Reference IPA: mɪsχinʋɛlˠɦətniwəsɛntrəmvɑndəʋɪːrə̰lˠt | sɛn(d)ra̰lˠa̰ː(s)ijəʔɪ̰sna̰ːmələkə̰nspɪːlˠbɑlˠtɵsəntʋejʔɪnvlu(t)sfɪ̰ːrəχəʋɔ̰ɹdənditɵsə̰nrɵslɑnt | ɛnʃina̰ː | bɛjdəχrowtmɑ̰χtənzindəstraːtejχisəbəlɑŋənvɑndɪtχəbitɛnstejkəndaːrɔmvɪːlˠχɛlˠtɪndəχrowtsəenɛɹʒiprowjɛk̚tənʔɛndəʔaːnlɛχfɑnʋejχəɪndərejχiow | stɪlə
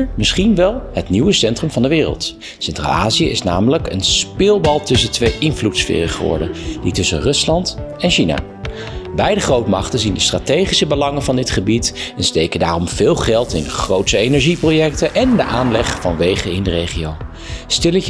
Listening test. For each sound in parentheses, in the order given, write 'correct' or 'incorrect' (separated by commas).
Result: incorrect, incorrect, correct